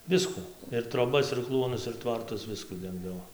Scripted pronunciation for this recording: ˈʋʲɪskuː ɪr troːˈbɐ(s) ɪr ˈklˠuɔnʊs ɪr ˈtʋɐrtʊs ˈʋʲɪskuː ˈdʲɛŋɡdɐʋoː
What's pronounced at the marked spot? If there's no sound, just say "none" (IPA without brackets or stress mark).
s